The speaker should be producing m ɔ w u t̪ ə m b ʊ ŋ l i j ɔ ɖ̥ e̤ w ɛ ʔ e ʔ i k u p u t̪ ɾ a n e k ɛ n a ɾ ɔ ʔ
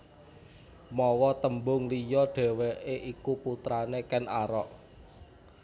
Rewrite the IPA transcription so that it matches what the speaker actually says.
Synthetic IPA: m ɔ w ɔ t̪ ə m b ʊ ŋ l i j ɔ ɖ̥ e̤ w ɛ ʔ e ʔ i k u p u t̪ ɾ a n e k ɛ n a ɾ ɔ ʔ